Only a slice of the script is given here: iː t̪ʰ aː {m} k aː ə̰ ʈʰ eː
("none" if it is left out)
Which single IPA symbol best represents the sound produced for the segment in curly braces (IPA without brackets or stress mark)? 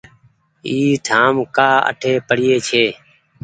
m